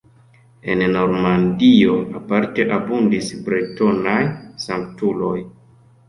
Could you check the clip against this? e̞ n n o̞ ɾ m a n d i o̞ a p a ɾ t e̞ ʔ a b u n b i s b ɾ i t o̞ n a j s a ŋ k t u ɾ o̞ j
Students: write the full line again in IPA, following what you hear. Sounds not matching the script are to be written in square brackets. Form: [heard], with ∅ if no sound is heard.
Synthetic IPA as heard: e̞ n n o̞ ɾ m a n d i o̞ a p a ɾ t e̞ ʔ a b u n [d] i s b ɾ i t o̞ n a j s a ŋ k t u [l] o̞ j